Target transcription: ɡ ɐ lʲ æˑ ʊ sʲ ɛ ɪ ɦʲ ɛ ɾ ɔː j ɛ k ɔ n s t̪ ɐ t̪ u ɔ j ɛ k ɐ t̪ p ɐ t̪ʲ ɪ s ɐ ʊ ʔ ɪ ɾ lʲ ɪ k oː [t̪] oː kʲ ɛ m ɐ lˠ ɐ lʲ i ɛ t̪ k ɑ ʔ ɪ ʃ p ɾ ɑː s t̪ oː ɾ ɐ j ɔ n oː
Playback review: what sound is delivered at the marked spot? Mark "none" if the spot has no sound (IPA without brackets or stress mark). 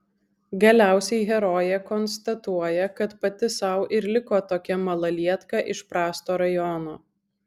t̪